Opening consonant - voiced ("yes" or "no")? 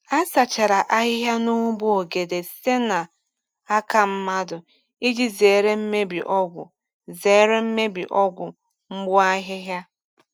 no